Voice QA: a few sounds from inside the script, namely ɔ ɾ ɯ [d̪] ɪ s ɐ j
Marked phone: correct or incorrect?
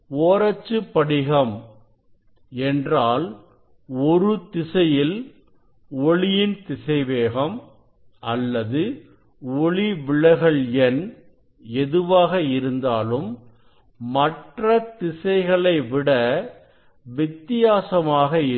incorrect